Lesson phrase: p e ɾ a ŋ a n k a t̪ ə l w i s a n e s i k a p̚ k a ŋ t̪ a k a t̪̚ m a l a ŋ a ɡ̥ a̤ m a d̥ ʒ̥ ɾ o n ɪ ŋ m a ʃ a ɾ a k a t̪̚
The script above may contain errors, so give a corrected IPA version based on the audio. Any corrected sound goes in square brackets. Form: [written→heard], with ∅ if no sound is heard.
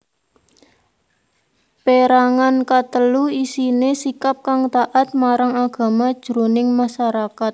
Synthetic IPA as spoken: p e ɾ a ŋ a n k a t̪ ə l [w→u] i s [a→i] n e s i k a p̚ k a ŋ t̪ a [k→ʔ] a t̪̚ m a [l→ɾ] a ŋ a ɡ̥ a̤ m a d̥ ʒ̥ ɾ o n ɪ ŋ m a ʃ a ɾ a k a t̪̚